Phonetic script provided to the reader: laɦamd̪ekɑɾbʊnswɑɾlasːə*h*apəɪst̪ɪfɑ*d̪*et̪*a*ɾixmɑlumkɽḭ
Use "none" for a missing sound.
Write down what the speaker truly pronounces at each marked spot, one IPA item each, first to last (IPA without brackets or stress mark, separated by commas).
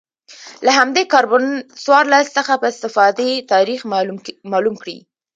x, d̪, ɑ